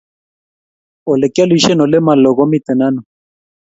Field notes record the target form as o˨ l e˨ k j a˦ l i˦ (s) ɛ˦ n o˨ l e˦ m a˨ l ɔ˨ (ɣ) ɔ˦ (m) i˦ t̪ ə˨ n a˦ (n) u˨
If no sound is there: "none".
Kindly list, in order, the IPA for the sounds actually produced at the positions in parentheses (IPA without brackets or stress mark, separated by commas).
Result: ʃ, ɣ, m, n